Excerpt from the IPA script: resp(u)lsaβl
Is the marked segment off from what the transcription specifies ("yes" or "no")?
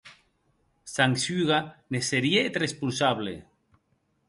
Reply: no